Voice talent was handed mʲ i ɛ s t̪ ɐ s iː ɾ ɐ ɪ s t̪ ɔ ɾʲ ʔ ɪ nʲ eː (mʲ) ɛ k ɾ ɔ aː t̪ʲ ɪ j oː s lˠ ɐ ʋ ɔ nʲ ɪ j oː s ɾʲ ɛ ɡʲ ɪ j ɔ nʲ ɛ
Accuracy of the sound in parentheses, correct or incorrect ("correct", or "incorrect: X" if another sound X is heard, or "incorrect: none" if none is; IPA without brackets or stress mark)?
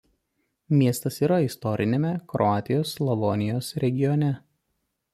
correct